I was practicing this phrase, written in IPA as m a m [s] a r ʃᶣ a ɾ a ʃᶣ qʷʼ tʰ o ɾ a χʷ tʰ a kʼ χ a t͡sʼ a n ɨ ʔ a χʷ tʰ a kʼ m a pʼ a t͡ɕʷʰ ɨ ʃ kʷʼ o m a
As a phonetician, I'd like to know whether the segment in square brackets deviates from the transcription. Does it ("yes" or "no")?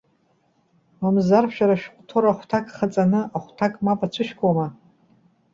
yes